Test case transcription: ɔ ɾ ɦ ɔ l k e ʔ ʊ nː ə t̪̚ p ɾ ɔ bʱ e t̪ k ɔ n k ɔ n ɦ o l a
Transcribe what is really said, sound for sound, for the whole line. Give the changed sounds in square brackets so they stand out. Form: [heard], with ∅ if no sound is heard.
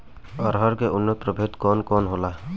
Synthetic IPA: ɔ ɾ ɦ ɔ [ɾ] k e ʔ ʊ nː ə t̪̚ p ɾ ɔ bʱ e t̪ k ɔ n k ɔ n ɦ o l a